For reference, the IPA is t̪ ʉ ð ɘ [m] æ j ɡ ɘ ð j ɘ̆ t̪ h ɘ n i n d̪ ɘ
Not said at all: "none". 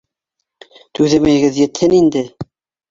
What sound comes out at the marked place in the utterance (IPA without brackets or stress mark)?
m